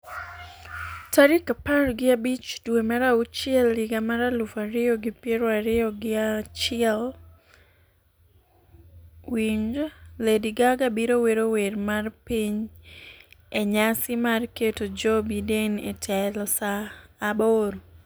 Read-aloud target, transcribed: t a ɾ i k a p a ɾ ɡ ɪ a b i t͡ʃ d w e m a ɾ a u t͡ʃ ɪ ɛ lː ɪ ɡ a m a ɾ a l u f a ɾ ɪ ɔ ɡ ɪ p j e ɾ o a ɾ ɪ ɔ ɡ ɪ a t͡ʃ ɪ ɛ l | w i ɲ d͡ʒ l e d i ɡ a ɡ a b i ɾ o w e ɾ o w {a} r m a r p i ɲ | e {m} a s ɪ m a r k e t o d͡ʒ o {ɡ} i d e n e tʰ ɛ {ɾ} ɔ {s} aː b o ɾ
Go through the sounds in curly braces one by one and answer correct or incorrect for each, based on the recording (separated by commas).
incorrect, incorrect, incorrect, incorrect, correct